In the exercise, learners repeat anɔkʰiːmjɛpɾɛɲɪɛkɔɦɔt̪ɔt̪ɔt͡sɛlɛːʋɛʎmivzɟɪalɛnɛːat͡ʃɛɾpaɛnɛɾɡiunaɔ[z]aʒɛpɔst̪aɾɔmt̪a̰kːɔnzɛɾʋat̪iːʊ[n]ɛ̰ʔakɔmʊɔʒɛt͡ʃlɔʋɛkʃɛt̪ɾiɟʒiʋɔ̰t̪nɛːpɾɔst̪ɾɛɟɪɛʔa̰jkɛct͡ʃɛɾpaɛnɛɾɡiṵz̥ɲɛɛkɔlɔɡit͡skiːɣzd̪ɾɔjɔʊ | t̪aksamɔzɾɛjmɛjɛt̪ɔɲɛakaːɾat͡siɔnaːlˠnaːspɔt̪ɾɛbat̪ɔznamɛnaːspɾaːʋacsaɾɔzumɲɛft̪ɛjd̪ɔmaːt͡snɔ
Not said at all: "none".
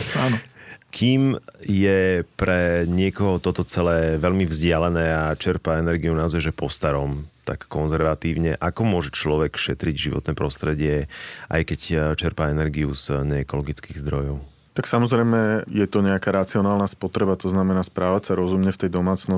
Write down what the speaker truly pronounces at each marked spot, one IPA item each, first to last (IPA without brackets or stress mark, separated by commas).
z, ɲ